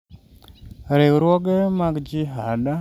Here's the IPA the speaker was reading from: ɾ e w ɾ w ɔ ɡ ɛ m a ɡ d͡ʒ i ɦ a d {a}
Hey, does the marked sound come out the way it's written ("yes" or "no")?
yes